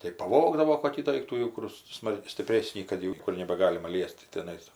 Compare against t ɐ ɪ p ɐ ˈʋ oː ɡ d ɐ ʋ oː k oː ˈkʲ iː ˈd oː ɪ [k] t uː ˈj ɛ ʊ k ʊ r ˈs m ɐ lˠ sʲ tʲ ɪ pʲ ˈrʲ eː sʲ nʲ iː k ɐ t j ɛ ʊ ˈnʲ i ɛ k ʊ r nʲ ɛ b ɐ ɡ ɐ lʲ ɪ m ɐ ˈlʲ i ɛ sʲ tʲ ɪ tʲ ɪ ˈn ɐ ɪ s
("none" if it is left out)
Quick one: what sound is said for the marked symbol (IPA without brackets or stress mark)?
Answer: k